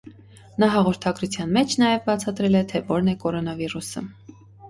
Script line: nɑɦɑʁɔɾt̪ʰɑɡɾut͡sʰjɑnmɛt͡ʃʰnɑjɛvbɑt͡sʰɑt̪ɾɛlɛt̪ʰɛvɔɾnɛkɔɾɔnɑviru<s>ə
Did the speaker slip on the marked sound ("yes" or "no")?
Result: no